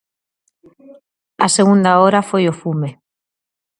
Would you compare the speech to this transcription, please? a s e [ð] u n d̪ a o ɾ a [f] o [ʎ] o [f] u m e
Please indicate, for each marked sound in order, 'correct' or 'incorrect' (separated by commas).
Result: incorrect, correct, incorrect, correct